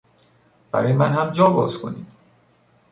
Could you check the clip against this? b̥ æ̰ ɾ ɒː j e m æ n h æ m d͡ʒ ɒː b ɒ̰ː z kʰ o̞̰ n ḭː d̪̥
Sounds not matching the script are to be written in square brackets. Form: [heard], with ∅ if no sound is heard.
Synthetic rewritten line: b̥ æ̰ ɾ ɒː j e m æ n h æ m d͡ʒ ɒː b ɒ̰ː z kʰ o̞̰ n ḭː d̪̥

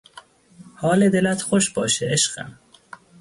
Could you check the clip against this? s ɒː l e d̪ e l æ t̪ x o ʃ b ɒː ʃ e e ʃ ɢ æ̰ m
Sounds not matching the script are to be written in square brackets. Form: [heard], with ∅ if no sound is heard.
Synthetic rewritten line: [h] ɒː l e d̪ e l æ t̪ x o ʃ b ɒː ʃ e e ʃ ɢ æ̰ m

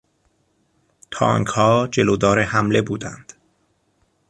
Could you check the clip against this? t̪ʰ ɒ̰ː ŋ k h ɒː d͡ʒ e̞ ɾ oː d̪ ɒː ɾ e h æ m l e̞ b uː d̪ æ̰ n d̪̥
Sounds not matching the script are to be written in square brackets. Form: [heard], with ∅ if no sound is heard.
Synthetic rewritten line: t̪ʰ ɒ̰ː ŋ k h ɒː d͡ʒ e̞ [l] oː d̪ ɒː ɾ e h æ m l e̞ b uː d̪ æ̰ n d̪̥

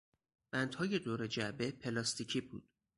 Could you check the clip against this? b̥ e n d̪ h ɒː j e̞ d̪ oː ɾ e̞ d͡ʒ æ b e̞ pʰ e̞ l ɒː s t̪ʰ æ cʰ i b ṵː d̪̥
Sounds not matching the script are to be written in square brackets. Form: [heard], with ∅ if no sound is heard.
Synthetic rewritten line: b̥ [æ] n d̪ h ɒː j e̞ d̪ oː ɾ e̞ d͡ʒ æ b e̞ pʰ e̞ l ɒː s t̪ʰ [i] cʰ i b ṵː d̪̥

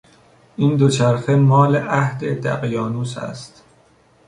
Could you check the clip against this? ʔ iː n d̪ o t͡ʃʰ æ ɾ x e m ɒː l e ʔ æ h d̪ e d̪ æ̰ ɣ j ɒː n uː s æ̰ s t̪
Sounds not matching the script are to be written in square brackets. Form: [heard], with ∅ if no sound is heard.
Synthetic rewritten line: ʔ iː n d̪ o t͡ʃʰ æ ɾ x e m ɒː l e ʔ æ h d̪ e d̪ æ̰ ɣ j ɒː n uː s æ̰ s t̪

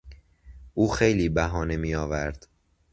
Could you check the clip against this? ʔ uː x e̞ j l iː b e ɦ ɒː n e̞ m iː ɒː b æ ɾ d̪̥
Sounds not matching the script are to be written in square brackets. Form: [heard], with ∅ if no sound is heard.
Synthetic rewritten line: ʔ uː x e̞ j l iː b [æ] ɦ ɒː n e̞ m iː ɒː [v] æ ɾ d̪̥

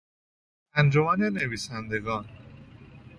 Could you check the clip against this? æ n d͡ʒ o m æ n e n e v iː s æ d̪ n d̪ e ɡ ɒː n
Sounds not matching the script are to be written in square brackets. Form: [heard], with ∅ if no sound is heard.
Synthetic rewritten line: æ n d͡ʒ o m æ n e n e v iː s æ [∅] n d̪ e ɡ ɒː n

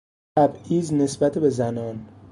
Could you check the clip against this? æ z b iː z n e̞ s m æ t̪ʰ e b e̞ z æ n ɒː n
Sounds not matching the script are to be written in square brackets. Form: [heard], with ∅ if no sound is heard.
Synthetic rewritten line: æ [∅] b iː z n e̞ s [b] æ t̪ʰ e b e̞ z æ n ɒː n

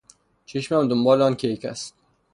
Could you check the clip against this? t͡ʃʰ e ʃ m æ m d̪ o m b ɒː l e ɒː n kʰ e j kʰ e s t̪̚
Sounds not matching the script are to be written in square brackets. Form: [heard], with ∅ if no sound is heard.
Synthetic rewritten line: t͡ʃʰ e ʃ m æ m d̪ o m b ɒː l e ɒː n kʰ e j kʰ [æ] s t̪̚

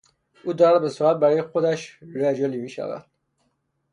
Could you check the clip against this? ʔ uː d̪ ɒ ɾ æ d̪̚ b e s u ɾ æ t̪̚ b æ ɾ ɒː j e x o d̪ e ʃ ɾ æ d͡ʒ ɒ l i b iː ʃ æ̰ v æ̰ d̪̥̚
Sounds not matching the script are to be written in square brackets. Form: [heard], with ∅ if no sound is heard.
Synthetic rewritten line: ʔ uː d̪ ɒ ɾ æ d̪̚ b e s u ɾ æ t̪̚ b æ ɾ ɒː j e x o d̪ [æ] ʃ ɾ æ d͡ʒ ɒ l i [m] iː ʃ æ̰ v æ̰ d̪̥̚

